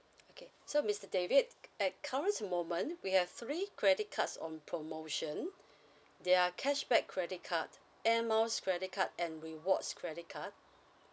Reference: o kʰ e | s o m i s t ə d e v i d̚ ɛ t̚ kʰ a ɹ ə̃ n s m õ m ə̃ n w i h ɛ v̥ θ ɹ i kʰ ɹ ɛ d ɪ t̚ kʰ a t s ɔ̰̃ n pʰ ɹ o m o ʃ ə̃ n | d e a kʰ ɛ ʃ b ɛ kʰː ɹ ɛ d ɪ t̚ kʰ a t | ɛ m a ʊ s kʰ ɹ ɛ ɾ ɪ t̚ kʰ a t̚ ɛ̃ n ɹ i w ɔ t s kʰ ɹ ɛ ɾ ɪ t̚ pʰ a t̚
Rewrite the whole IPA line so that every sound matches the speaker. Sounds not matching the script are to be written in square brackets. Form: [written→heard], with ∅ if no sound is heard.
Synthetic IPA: o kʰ e | s o m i s t ə d e v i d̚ ɛ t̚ kʰ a ɹ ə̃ n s m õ m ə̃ n w i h ɛ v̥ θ ɹ i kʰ ɹ ɛ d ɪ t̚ kʰ a t s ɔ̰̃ n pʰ ɹ o m o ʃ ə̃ n | d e a kʰ ɛ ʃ b ɛ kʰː ɹ ɛ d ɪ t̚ kʰ a t | ɛ m a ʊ s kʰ ɹ ɛ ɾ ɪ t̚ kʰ a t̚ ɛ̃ n ɹ i w ɔ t s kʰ ɹ ɛ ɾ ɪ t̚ [pʰ→kʰ] a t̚